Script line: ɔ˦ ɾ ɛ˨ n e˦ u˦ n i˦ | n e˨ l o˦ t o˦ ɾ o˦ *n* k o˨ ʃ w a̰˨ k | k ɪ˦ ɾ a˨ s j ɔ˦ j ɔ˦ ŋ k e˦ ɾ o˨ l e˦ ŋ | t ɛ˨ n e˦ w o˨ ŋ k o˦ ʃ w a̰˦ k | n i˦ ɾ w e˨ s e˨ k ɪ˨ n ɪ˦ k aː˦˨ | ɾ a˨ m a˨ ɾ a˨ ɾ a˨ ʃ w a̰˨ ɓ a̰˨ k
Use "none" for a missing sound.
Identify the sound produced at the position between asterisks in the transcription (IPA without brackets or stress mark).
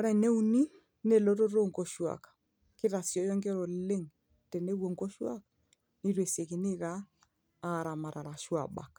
ŋ